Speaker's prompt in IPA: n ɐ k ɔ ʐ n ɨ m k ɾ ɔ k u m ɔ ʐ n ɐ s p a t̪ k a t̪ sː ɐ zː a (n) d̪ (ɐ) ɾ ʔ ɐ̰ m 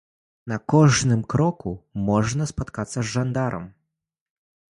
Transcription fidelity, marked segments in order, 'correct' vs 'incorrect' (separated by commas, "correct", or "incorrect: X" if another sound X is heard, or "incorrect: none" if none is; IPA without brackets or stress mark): correct, incorrect: a